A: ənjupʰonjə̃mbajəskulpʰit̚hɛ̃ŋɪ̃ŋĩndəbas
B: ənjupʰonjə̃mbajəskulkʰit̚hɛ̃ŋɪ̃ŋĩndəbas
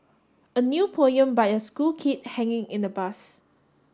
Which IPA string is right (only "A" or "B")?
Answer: B